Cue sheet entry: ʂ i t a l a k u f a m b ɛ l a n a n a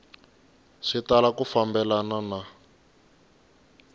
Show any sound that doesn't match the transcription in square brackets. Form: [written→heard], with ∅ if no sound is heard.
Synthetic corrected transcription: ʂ i t a l a k u f a m b ɛ l a n a n a